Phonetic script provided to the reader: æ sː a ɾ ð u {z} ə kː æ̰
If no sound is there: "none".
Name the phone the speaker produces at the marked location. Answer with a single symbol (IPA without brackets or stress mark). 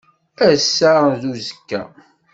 z